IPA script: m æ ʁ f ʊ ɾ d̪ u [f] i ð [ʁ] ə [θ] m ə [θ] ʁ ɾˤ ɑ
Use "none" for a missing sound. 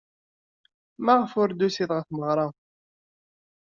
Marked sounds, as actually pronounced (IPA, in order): s, ʁ, θ, none

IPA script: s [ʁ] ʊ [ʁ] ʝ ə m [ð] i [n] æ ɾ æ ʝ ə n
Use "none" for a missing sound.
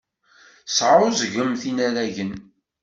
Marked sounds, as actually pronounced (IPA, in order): ʕ, z, θ, n

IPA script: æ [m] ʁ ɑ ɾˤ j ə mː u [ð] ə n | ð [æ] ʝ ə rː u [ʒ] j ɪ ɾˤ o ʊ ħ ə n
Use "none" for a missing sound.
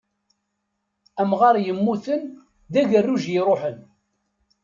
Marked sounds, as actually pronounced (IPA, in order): m, θ, æ, ʒ

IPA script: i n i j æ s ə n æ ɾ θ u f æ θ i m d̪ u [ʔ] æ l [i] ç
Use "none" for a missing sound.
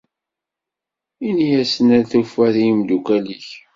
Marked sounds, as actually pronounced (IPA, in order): k, i

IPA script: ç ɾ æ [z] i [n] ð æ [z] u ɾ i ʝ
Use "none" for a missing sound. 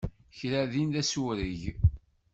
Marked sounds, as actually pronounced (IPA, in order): ð, n, s

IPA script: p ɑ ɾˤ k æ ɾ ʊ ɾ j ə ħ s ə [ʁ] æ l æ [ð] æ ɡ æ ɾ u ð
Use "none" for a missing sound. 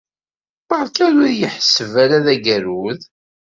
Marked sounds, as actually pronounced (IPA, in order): v, ð

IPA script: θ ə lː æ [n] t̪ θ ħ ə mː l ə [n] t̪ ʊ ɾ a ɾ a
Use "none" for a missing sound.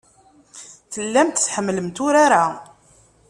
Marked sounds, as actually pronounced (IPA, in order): m, m

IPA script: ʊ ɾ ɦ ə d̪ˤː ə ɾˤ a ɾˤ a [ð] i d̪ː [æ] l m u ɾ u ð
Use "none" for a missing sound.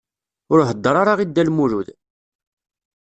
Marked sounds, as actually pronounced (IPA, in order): ʁ, æ

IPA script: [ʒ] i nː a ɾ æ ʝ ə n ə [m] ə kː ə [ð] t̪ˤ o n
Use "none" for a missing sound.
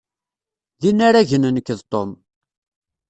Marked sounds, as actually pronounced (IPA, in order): ð, n, ð

